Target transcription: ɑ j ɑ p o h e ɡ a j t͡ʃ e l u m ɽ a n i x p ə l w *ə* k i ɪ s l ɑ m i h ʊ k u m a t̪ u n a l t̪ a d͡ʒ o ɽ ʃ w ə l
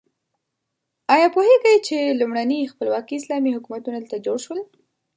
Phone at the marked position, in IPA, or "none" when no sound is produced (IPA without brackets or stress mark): ɑ